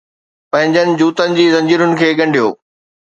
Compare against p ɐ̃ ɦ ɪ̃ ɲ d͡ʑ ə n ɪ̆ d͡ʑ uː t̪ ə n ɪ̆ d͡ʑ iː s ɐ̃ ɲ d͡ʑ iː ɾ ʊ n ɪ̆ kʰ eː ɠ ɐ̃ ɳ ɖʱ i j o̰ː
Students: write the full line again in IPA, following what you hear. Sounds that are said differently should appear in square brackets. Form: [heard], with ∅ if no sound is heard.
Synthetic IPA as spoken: p ɐ̃ ɦ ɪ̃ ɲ d͡ʑ ə n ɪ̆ d͡ʑ uː t̪ ə n ɪ̆ d͡ʑ iː [z] ɐ̃ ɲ d͡ʑ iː ɾ ʊ n ɪ̆ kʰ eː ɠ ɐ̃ ɳ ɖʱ i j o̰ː